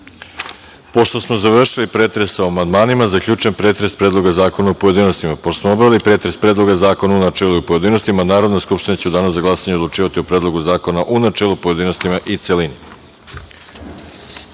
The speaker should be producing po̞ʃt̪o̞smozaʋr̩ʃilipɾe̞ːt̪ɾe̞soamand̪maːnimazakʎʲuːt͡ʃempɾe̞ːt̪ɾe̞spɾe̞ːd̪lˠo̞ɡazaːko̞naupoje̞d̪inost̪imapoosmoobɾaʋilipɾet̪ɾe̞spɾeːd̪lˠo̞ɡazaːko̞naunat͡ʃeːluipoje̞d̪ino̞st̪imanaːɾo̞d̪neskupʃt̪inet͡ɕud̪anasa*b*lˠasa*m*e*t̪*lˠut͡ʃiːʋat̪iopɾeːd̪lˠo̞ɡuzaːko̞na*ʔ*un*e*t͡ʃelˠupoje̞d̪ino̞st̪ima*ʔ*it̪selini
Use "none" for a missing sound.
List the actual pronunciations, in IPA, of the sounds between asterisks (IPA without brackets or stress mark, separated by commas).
ɡ, ɲ, d̪, ʔ, a, ʔ